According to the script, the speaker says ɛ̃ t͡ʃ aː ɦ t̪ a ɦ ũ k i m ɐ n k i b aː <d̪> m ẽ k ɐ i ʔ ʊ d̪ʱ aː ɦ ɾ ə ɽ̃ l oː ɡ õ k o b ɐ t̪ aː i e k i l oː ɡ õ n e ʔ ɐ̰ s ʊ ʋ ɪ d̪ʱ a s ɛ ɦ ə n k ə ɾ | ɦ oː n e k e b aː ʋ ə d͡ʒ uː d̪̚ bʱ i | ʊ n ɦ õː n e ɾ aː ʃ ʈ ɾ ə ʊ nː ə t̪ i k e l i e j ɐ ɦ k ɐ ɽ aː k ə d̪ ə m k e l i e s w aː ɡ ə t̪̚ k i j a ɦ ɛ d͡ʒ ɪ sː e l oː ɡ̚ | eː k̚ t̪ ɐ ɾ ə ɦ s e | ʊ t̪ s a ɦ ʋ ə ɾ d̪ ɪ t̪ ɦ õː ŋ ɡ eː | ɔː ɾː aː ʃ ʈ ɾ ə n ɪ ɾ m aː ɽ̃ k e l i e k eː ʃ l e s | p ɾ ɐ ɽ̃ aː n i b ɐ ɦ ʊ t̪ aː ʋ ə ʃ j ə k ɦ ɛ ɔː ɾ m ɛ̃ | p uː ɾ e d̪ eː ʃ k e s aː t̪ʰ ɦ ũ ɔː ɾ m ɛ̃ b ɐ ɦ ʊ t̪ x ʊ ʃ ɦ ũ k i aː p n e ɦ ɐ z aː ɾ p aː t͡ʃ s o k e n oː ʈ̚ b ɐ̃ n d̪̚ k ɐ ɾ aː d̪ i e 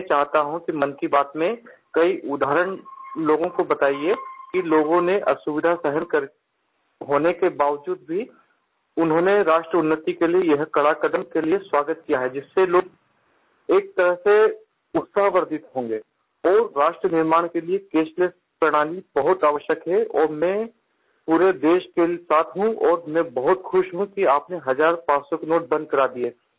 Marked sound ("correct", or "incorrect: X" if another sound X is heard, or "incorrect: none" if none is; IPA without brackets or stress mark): incorrect: t̪